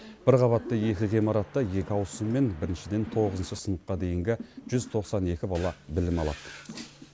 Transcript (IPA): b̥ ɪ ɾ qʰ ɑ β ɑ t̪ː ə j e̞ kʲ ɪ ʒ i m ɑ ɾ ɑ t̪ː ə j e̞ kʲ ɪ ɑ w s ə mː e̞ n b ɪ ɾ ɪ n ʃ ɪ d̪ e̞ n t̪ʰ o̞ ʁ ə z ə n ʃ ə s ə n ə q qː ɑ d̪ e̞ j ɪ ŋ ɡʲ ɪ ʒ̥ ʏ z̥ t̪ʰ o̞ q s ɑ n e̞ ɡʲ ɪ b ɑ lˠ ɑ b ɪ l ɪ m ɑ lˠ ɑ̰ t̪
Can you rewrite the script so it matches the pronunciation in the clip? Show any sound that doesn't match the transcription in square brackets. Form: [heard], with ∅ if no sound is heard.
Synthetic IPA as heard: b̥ ɪ ɾ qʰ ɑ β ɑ t̪ː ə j e̞ kʲ ɪ [ʁ] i m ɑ ɾ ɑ t̪ː [ɑ] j e̞ kʲ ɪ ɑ w s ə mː e̞ n b ɪ ɾ ɪ n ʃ ɪ d̪ e̞ n t̪ʰ o̞ ʁ ə z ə n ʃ ə s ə n ə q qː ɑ d̪ e̞ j ɪ ŋ ɡʲ ɪ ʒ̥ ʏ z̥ t̪ʰ o̞ q s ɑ n e̞ [kʲ] ɪ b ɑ lˠ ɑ b ɪ l ɪ m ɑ lˠ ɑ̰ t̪